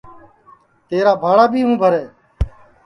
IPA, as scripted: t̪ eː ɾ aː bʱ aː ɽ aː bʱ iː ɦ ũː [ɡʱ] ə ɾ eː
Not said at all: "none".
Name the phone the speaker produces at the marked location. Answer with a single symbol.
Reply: bʱ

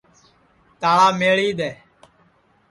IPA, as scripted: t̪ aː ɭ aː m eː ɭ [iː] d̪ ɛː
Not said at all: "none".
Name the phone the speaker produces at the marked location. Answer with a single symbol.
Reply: iː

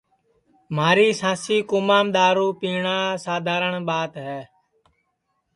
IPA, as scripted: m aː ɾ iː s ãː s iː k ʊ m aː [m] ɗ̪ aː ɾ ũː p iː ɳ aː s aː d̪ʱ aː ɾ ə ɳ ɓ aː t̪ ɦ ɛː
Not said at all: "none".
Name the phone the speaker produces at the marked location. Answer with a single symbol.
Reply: m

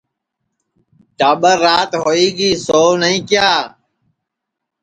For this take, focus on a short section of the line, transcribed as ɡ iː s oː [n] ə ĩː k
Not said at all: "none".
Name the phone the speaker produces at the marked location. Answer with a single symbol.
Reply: n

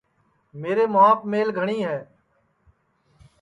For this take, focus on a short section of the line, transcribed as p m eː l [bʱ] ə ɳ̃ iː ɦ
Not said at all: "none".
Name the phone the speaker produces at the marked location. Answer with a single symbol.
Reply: ɡʱ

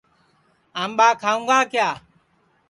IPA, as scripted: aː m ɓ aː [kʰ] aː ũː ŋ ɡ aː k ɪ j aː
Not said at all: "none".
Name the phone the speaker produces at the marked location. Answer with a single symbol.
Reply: kʰ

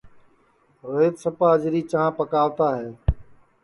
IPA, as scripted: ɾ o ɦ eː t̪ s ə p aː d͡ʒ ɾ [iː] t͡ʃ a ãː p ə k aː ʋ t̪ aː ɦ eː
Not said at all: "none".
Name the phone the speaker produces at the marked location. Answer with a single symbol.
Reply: iː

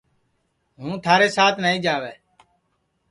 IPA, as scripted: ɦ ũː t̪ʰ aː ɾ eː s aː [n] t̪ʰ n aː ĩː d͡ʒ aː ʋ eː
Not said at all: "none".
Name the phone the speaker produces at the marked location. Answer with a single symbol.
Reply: none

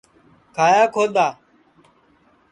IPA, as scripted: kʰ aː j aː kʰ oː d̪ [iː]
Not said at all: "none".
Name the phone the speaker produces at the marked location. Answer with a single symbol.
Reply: aː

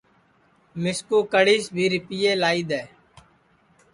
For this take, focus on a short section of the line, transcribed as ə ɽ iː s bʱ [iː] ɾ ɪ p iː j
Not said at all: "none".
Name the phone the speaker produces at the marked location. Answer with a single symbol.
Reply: iː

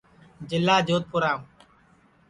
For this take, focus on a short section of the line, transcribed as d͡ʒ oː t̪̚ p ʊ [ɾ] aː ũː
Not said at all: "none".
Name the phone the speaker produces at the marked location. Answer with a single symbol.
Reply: ɾ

